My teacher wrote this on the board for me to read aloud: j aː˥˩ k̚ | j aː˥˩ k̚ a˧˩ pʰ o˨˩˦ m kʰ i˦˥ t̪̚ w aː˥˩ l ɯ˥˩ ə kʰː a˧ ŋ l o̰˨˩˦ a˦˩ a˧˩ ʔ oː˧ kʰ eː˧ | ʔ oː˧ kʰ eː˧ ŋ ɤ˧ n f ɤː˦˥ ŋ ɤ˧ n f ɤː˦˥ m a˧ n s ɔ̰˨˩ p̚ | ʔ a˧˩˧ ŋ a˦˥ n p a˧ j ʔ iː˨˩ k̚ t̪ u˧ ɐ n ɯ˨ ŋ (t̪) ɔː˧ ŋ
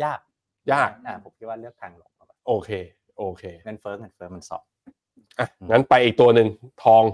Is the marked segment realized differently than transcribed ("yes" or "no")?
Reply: yes